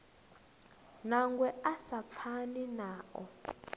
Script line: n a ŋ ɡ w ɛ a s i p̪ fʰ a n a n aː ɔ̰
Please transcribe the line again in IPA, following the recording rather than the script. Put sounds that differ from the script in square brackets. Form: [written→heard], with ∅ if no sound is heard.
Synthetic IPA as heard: n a ŋ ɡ w ɛ a s [i→a] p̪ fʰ a n [a→i] n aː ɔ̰